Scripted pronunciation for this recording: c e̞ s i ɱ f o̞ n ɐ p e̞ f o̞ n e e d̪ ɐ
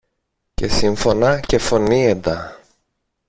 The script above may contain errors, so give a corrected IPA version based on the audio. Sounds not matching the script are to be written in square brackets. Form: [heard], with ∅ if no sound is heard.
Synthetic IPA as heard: c e̞ s i ɱ f o̞ n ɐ [c] e̞ f o̞ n [i] e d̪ ɐ